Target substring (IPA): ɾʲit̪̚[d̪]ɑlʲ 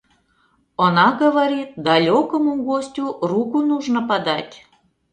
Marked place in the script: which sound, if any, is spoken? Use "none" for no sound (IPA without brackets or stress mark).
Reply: d̪